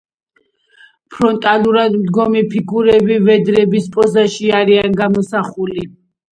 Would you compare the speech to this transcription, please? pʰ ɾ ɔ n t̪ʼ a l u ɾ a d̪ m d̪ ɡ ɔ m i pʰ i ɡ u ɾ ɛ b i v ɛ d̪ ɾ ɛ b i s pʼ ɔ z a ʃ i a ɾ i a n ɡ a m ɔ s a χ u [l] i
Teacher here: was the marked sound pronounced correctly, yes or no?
yes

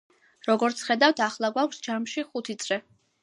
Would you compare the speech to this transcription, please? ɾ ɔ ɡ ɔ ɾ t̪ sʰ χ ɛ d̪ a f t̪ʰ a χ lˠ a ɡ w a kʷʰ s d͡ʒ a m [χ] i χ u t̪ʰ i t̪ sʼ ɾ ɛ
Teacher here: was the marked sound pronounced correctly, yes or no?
no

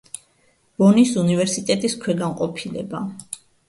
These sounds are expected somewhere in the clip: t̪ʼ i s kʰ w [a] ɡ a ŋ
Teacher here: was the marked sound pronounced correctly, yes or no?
no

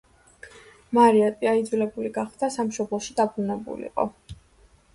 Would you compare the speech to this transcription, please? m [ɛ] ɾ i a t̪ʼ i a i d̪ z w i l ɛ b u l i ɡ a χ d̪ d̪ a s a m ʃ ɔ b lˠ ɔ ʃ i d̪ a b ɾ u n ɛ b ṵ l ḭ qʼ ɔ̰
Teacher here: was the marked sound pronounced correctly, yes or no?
no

